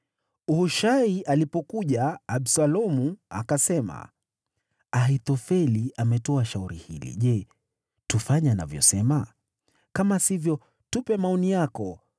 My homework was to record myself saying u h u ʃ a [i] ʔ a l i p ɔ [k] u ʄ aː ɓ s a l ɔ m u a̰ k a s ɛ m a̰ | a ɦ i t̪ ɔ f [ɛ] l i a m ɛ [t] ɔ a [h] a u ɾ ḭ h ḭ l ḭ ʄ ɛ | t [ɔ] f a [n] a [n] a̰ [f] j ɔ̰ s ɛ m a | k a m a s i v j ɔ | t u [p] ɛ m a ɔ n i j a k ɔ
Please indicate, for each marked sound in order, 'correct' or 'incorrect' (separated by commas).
correct, correct, correct, correct, incorrect, incorrect, incorrect, correct, incorrect, correct